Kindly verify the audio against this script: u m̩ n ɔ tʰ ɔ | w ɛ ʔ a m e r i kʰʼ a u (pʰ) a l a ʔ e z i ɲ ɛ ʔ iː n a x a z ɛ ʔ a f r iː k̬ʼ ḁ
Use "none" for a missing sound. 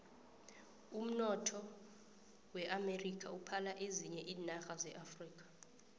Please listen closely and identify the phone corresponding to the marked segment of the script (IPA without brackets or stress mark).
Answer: pʰ